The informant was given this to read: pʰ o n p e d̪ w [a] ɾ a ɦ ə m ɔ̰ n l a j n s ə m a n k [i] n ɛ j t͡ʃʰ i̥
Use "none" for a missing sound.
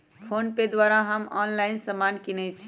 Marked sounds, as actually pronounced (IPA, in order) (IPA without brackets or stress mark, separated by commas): a, i